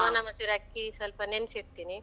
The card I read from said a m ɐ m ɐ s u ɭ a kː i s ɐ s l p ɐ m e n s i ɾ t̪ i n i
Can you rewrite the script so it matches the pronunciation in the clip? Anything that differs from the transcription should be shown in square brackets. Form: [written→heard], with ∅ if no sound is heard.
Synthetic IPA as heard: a [m→n] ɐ m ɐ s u [ɭ→ɾ] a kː i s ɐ [s→∅] l p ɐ [m→n] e n s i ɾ t̪ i n i